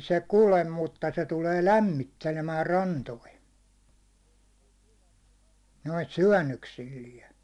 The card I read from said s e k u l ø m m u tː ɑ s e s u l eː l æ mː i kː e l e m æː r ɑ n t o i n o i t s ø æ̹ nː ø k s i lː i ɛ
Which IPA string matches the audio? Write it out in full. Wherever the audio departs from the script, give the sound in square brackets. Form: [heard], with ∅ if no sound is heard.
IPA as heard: s e k u l [e] m m u tː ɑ s e [t] u l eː l æ mː i [tː] e l e m æː r ɑ n t o i n o i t s [y] æ̹ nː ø k s i lː i ɛ

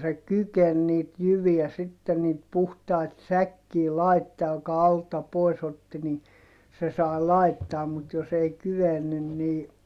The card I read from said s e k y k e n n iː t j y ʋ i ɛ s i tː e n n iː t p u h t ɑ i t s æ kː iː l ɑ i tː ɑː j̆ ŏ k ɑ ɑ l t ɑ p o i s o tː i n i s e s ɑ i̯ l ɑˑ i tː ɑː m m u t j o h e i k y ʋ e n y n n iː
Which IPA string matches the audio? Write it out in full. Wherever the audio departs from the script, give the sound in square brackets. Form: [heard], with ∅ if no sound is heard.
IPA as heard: s e k y k e n n iː t j y ʋ i [æ] s i tː e n n iː t p u h t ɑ i t s æ kː iː l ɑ i tː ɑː j̆ ŏ k ɑ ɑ l t ɑ p o i s o tː i n i s e s ɑ i̯ l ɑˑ i tː ɑː m m u t j o [s] e i k y ʋ e [nː] y n n iː

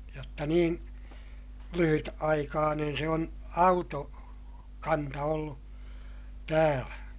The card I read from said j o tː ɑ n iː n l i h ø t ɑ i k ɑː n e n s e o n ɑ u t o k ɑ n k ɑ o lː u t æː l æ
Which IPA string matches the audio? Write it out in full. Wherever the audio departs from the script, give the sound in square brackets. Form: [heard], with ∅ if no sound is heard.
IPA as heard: j o tː ɑ n iː n l [y] h [y] t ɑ i k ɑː n e n s e o n ɑ u t o k ɑ n [t] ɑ o lː u t æː l æ

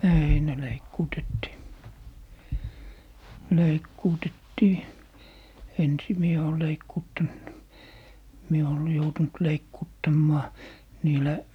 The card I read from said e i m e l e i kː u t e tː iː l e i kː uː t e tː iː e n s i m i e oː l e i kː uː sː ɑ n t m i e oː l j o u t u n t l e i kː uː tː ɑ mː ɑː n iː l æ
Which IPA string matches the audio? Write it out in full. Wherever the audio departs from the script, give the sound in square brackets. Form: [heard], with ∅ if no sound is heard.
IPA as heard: e i [n] e l e i kː [uː] t e tː iː l e i kː uː t e tː iː e n s i m i e oː l e i kː uː [tː] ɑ n t m i e oː l j o u t u n t l e i kː uː tː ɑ mː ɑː n iː l æ

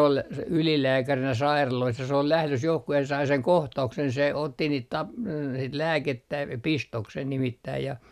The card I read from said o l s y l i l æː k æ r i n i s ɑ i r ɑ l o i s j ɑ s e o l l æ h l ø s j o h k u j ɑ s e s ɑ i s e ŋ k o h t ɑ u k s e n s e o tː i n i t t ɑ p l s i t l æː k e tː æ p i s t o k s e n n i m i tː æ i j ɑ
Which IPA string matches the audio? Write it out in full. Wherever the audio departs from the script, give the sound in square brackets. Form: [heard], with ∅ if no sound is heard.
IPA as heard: o l s y l i l æː k æ r i n [æ] s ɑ i r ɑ l o i s j ɑ s e o l l æ h l ø s j o h k u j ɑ s e s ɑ i s e ŋ k o h t ɑ u k s e n s e o tː i n [iː] t t ɑ p l s i t l æː k e tː æ p i s t o k s e n n i m i tː æ i j ɑ

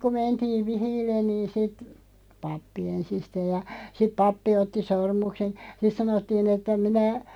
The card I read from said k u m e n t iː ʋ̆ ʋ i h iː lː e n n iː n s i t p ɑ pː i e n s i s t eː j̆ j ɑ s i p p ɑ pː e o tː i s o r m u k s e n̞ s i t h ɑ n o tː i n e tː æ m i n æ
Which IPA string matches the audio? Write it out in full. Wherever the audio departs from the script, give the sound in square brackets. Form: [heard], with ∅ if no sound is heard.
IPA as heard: k u m e n t iː ʋ̆ ʋ i h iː lː e n n iː n s i t p ɑ pː i e n s i s t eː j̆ j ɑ s i p p ɑ pː [i] o tː i s o r m u k s e n̞ s i t [s] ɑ n o tː [iː] n e tː æ m i n æ

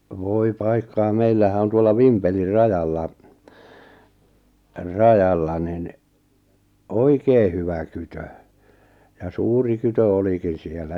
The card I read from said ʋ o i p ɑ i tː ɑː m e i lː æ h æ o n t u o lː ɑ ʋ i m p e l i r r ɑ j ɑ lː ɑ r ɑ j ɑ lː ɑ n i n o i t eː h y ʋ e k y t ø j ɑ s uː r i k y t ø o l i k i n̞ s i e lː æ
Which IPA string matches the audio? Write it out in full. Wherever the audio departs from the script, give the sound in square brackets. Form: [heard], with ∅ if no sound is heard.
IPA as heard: ʋ o i p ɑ i [kː] ɑː m e i lː æ h æ o n t u o lː ɑ ʋ i m p e l i r r ɑ j ɑ lː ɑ r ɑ j ɑ lː ɑ n i n o i [k] eː h y ʋ [æ] k y t ø j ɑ s uː r i k y t ø o l i k i n̞ s i e lː æ

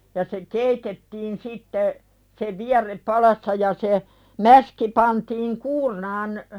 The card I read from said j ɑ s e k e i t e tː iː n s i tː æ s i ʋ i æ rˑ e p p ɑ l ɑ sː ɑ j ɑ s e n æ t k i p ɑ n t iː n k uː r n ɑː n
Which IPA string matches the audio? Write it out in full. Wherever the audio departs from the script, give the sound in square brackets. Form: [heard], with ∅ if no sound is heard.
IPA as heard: j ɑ s e k e i t e tː iː n s i tː [e] s [e] ʋ i æ rˑ e p p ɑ l ɑ sː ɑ j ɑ s e [m] æ [s] k i p ɑ n t iː [ŋ] k uː r n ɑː n

